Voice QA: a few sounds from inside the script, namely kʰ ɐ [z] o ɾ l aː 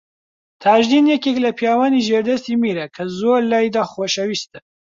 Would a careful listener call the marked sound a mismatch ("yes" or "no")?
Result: no